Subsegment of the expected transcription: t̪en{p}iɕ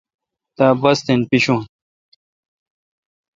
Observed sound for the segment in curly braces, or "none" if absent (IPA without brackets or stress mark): p